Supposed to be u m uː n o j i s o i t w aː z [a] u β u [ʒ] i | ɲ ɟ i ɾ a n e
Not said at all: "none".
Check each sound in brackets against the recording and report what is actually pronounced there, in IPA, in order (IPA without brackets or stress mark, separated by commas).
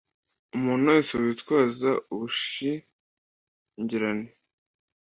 a, ʃ